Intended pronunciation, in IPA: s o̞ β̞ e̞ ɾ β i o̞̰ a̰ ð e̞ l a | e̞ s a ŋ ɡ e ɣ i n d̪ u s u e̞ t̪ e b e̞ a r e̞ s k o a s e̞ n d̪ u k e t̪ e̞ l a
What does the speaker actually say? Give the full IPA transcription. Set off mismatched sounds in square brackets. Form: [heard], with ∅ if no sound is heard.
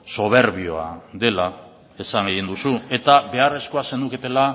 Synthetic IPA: s o̞ β̞ e̞ ɾ β i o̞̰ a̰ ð e̞ l a | e̞ s a ŋ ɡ e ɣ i n d̪ u s u e̞ t̪ [a] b e̞ a r e̞ s k o a s e̞ n d̪ u k e t̪ e̞ l a